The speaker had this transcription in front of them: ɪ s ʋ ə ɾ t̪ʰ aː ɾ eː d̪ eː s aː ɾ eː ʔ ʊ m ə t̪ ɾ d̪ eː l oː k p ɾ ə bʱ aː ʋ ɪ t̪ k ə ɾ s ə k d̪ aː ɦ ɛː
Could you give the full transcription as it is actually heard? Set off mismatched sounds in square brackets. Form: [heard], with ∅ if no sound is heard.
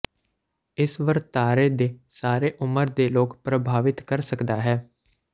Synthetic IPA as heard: ɪ s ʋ ə ɾ [t̪] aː ɾ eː d̪ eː s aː ɾ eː ʔ ʊ m ə [∅] ɾ d̪ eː l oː k p ɾ ə bʱ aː ʋ ɪ t̪ k ə ɾ s ə k d̪ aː ɦ ɛː